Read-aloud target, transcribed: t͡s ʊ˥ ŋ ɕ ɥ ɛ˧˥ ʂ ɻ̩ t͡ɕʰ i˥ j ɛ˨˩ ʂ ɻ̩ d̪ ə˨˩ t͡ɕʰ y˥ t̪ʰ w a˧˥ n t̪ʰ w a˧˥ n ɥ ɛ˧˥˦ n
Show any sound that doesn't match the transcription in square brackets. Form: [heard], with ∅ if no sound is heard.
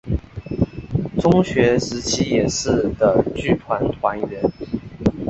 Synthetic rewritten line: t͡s ʊ˥ ŋ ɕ ɥ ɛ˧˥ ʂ ɻ̩ t͡ɕʰ i˥ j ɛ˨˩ ʂ ɻ̩ d̪ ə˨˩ [t͡ɕ] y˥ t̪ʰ w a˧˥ n t̪ʰ w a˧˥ n ɥ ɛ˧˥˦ n